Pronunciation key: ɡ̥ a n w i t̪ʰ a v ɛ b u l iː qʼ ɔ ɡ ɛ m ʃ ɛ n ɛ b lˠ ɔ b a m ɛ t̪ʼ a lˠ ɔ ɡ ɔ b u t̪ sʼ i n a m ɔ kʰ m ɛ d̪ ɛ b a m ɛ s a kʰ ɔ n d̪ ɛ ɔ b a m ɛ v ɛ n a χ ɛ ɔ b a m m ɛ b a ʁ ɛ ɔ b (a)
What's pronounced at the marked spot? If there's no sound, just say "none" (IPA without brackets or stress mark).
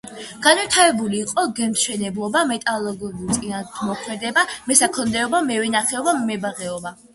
a